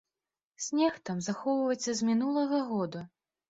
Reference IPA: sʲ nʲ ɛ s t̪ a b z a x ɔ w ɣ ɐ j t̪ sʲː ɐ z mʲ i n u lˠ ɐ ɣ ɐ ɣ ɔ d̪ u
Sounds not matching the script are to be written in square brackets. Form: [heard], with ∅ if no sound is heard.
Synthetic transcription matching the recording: sʲ nʲ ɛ [x] t̪ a [m] z a x ɔ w [v] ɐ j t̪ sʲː ɐ z mʲ i n u lˠ ɐ ɣ ɐ ɣ ɔ d̪ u